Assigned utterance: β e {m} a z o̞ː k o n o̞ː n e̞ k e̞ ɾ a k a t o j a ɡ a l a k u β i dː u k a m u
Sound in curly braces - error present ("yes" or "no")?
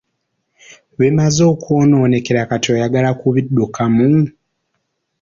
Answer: no